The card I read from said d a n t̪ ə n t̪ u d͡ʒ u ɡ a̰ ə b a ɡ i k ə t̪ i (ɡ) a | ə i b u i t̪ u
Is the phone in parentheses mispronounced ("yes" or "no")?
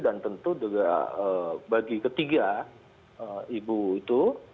no